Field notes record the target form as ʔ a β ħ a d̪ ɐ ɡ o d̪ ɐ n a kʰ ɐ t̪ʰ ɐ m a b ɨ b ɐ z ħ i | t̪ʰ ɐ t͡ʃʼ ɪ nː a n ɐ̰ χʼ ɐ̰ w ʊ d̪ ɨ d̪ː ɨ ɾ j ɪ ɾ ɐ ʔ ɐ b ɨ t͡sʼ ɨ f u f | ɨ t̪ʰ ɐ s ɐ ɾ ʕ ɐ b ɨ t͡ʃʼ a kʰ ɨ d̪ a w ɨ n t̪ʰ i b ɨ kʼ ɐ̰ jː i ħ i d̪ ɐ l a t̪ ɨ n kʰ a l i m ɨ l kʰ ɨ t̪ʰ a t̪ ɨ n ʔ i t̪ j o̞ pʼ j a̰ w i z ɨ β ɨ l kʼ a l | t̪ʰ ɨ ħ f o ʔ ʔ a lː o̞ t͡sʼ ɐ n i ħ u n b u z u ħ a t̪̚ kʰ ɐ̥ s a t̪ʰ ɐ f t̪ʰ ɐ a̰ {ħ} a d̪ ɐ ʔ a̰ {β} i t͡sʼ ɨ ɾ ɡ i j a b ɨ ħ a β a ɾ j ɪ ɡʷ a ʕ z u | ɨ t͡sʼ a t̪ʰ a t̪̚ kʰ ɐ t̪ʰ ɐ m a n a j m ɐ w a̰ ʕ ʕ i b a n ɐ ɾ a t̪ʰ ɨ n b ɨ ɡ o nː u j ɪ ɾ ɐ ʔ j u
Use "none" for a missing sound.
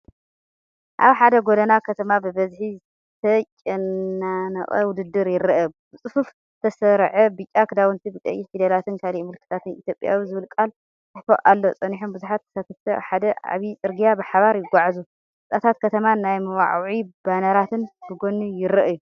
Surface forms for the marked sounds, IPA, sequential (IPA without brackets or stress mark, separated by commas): ħ, β